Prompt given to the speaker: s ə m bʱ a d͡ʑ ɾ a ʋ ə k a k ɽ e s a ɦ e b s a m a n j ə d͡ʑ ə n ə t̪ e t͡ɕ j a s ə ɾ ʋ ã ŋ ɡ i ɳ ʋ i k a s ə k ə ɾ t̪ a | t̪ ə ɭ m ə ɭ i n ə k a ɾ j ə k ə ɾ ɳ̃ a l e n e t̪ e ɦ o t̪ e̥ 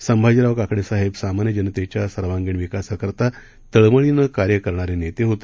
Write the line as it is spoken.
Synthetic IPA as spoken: s ə m bʱ a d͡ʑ ɾ a ʋ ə k a k ɽ e s a ɦ e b s a m a n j ə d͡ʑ ə n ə t̪ e t͡ɕ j a s ə ɾ ʋ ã ŋ ɡ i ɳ ʋ i k a s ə k ə ɾ t̪ a | t̪ ə ɭ m ə ɭ i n ə k a ɾ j ə k ə ɾ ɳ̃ a ɾ e n e t̪ e ɦ o t̪ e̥